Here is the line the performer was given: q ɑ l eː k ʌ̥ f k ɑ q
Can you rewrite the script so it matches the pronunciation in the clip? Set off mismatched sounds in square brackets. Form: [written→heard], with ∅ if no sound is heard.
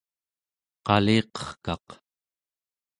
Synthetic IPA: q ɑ l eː [k→q] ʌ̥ [f→χ] k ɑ q